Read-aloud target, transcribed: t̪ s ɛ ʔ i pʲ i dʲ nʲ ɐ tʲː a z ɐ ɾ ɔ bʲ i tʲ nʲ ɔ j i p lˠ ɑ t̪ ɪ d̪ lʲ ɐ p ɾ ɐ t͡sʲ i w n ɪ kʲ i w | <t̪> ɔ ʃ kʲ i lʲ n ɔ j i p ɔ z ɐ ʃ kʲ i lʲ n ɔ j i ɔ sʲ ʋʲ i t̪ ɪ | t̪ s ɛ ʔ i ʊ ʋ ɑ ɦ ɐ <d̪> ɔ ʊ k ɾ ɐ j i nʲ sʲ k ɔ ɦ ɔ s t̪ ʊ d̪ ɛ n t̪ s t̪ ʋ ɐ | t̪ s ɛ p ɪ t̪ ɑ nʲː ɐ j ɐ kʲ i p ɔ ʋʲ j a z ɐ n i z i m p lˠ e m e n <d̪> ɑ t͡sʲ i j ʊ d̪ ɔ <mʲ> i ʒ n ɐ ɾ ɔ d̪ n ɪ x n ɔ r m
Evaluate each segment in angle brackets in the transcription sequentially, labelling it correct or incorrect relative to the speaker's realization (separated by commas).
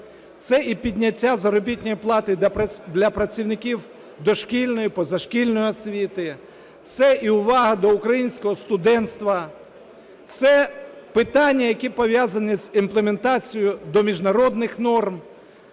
incorrect, correct, incorrect, correct